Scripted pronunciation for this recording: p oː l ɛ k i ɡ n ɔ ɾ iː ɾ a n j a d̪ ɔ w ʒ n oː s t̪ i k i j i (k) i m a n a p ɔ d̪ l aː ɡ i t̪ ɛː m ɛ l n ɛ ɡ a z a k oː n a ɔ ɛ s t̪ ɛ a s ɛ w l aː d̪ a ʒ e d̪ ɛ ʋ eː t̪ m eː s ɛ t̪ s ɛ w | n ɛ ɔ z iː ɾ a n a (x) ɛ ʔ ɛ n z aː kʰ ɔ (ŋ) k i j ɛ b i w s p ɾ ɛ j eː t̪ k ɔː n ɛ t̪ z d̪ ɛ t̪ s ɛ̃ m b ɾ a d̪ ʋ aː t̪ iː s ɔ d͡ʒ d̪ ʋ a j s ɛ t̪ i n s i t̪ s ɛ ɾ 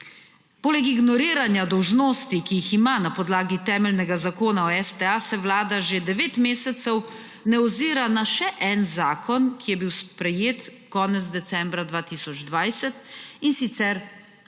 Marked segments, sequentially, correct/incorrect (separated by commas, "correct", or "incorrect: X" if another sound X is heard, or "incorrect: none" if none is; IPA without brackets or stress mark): incorrect: x, incorrect: ʃ, incorrect: n